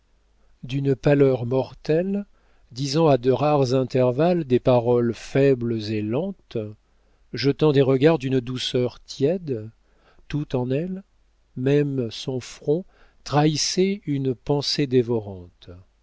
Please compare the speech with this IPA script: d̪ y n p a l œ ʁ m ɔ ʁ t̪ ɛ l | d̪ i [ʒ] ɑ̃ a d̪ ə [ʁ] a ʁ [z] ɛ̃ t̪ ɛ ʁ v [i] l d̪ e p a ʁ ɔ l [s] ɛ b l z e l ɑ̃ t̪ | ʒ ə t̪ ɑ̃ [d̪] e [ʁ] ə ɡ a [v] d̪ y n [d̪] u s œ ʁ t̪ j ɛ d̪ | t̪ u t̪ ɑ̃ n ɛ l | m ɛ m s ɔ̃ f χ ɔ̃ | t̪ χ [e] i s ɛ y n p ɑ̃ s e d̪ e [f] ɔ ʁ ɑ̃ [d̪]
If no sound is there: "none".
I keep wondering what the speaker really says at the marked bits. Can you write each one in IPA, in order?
z, ʁ, z, a, f, d̪, ʁ, ʁ, d̪, a, v, t̪

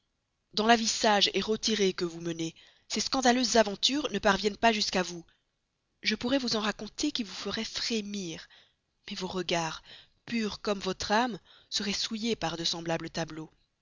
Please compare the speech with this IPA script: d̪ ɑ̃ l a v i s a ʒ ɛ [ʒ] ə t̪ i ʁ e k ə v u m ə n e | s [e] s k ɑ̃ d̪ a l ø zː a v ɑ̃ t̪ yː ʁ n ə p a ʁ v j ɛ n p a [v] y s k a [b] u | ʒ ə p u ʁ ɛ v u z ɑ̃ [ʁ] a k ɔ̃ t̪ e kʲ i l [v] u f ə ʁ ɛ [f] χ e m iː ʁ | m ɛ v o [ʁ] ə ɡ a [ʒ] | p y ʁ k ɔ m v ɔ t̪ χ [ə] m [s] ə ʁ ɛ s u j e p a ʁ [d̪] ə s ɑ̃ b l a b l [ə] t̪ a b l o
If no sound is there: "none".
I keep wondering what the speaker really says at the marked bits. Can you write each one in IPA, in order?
ʁ, e, ʒ, v, ʁ, v, f, ʁ, ʁ, a, s, d̪, ə

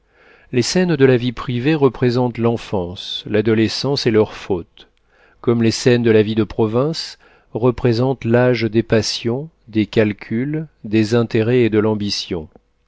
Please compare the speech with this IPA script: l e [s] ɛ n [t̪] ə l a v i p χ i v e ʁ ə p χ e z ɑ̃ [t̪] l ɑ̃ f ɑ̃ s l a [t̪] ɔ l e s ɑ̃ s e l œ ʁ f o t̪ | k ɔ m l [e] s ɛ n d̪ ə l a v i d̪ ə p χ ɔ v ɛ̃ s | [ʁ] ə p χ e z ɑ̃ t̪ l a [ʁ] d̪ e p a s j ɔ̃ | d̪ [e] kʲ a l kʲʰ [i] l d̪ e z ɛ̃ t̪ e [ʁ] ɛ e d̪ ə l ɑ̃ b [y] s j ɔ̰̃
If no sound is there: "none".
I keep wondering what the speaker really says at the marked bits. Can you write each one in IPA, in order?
s, d̪, t̪, d̪, e, ʁ, ʒ, e, y, ʁ, i

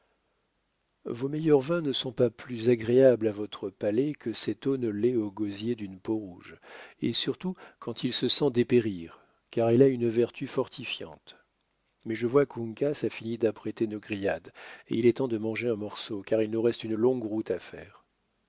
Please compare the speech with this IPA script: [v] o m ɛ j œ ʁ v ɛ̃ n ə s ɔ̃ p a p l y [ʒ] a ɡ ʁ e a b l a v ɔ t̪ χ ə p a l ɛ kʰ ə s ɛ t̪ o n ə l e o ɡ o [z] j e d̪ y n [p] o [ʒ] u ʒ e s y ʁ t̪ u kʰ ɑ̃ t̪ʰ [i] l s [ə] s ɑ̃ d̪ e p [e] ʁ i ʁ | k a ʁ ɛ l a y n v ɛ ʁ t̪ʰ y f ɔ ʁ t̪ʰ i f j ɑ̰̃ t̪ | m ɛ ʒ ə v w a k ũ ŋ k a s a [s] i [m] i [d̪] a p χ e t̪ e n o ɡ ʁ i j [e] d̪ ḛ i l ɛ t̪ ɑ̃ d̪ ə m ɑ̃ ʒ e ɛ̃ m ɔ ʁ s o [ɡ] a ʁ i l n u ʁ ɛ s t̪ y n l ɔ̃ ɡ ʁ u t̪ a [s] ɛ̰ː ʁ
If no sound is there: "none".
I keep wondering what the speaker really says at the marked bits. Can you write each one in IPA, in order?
v, z, z, p, ʁ, i, ə, e, f, n, d̪, a, k, f

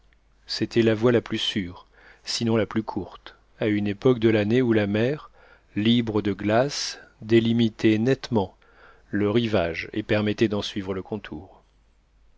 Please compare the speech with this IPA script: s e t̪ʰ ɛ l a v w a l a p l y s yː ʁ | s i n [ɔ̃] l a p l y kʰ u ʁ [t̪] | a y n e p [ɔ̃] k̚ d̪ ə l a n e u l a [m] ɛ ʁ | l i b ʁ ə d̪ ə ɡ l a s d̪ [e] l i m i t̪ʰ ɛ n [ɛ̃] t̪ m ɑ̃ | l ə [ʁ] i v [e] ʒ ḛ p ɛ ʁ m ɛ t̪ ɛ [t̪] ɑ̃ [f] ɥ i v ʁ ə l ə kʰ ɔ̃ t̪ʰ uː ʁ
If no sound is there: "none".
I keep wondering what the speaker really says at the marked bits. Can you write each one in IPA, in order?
ɔ̃, t̪, ɔ, m, e, ɛ, ʁ, a, d̪, s

